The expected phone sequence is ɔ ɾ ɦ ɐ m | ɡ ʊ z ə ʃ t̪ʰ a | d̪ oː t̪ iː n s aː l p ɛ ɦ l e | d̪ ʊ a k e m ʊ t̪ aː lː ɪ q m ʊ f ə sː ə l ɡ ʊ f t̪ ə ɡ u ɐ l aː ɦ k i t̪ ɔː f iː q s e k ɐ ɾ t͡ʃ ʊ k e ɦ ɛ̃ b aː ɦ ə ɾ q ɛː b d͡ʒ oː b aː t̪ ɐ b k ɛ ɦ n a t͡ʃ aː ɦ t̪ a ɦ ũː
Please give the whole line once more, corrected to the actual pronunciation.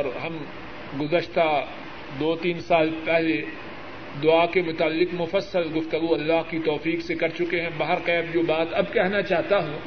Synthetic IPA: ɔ ɾ ɦ ɐ m | ɡ ʊ z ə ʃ t̪ a | d̪ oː t̪ iː n s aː l p ɛ ɦ l e | d̪ ʊ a k e m ʊ t̪ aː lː ɪ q m ʊ f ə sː ə l ɡ ʊ f t̪ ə ɡ u ɐ lː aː ɦ k i t̪ ɔː f iː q s e k ɐ ɾ t͡ʃ ʊ k e ɦ ɛ̃ b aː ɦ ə ɾ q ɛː b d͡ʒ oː b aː t̪ ɐ b k ɛ ɦ n a t͡ʃ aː ɦ t̪ a ɦ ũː